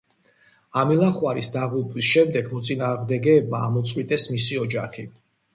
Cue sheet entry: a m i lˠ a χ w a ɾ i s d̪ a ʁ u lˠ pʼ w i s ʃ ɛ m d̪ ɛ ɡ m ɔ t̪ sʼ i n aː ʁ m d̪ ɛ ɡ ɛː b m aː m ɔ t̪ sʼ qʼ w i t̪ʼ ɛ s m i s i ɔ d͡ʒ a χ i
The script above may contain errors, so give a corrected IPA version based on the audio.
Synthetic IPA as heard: a m i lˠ a χ w a ɾ i s d̪ a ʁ u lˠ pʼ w i s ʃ ɛ m d̪ ɛ ɡ m ɔ t̪ sʼ i n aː ʁ m d̪ ɛ ɡ ɛː b m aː m ɔ t̪ sʼ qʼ w i t̪ʼ ɛ s m i s i ɔ d͡ʒ a χ i